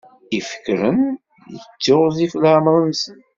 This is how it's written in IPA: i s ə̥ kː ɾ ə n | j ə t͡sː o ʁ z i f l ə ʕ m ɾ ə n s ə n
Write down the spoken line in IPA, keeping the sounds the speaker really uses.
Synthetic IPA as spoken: i f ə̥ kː ɾ ə n | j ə t͡sː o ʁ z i f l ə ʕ m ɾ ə n s ə n